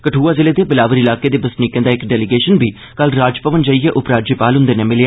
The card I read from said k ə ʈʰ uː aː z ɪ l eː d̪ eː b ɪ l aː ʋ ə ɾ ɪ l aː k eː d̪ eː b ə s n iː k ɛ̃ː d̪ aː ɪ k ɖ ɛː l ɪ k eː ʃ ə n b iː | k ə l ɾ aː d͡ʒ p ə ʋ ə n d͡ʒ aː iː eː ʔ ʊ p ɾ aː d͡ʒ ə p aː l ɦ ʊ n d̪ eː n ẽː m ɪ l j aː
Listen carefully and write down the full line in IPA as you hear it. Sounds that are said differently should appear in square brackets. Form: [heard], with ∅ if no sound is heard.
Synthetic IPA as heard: k ə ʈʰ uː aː z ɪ l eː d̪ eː b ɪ l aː ʋ ə ɾ ɪ l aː k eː d̪ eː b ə s n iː k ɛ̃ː d̪ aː ɪ k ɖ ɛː l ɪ [ɡ] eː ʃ ə n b iː | k ə l ɾ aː d͡ʒ p ə ʋ ə n d͡ʒ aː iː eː ʔ ʊ p ɾ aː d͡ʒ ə p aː l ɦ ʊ n d̪ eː n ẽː m ɪ l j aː